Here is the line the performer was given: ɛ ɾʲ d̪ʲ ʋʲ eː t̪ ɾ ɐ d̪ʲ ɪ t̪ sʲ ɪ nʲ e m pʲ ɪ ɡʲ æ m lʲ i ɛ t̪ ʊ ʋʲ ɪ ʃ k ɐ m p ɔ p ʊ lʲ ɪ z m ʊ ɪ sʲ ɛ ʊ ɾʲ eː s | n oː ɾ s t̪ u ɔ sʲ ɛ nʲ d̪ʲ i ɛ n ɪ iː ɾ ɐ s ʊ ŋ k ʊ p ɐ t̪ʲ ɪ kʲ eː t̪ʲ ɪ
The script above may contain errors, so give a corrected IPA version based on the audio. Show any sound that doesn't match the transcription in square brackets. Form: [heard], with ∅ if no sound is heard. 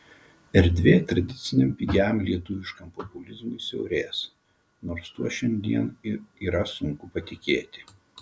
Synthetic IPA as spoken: ɛ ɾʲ d̪ʲ ʋʲ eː t̪ ɾ ɐ d̪ʲ ɪ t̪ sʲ ɪ nʲ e m pʲ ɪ ɡʲ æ m lʲ i ɛ t̪ ʊ ʋʲ ɪ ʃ k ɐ m p ɔ p ʊ lʲ ɪ z m ʊ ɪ sʲ ɛ ʊ ɾʲ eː s | n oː ɾ s t̪ u ɔ [ʃʲ] ɛ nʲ d̪ʲ i ɛ n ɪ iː ɾ ɐ s ʊ ŋ k ʊ p ɐ t̪ʲ ɪ kʲ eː t̪ʲ ɪ